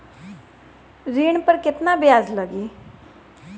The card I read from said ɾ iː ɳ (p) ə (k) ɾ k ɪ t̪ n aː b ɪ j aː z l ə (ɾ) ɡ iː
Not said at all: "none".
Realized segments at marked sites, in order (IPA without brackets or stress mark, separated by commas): p, none, none